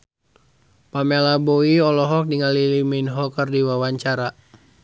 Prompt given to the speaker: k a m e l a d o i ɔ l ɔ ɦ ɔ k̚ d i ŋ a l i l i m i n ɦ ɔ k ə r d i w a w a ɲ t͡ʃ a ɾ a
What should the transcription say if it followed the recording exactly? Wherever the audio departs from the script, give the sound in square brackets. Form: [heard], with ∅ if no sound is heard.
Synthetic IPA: [p] a m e l a [b] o i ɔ l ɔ ɦ ɔ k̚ d i ŋ a l i l i m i n ɦ ɔ k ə r d i w a w a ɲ t͡ʃ a ɾ a